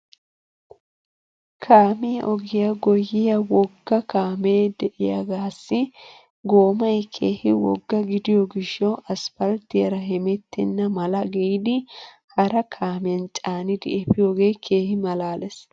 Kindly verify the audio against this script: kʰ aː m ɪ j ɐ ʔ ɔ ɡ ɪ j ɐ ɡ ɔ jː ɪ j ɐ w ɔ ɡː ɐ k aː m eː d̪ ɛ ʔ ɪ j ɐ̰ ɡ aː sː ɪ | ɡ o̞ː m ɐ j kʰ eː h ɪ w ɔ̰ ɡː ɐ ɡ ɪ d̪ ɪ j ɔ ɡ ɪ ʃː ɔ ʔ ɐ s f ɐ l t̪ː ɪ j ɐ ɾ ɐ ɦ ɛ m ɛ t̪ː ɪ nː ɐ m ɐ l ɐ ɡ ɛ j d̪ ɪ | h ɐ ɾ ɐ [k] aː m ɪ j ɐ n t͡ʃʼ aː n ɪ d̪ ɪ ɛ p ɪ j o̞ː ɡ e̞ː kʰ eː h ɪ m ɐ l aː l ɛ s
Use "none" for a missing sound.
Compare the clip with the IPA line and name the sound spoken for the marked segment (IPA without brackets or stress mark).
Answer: kʰ